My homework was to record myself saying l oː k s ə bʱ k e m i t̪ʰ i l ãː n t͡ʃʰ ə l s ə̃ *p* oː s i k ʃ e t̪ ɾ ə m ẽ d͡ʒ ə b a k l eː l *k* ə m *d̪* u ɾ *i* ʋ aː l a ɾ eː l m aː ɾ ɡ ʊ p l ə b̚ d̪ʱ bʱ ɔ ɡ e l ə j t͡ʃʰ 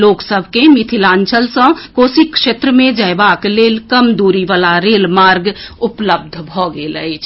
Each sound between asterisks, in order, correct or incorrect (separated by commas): incorrect, correct, correct, correct